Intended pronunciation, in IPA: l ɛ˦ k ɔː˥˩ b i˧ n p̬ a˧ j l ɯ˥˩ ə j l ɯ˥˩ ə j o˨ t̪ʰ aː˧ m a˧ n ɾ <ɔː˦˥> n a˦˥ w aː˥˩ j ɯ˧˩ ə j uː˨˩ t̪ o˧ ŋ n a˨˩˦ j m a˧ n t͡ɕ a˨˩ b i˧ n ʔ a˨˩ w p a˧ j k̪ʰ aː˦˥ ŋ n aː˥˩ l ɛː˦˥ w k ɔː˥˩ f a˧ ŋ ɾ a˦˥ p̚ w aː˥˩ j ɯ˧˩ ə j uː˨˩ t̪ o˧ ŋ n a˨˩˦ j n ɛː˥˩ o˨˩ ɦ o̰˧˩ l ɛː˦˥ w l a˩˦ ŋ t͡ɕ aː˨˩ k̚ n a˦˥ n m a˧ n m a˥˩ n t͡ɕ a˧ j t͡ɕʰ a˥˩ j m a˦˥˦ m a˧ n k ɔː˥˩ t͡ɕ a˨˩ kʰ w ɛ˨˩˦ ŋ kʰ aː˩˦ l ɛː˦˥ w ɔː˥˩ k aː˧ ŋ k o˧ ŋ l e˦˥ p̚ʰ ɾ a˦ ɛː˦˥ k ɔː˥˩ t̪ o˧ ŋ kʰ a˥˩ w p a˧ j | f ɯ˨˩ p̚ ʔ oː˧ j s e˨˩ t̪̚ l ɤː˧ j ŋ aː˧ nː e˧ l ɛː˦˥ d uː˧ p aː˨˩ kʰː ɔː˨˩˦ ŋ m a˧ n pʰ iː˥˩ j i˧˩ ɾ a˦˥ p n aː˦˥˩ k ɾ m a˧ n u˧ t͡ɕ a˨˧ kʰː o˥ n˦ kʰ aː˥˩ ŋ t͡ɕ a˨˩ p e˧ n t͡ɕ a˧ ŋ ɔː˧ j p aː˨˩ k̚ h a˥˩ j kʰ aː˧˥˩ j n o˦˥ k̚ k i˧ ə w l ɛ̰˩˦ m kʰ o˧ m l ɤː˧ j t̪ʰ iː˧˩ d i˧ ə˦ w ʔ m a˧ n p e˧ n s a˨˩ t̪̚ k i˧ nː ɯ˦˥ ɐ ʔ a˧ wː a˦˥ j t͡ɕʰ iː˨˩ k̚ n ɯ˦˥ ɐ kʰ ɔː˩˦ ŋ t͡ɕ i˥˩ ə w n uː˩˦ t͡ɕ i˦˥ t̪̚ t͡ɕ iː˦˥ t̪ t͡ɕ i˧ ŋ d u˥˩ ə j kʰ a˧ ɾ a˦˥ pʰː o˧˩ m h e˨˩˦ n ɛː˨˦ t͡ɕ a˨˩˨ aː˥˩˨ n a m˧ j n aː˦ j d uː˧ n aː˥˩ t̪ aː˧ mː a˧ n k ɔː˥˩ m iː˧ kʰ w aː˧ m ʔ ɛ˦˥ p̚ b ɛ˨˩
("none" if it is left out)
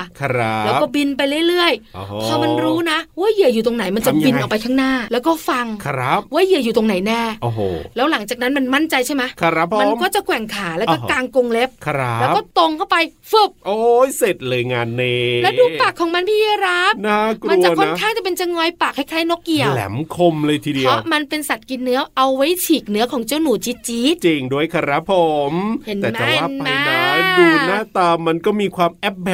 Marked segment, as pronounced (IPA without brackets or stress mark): uː˦˥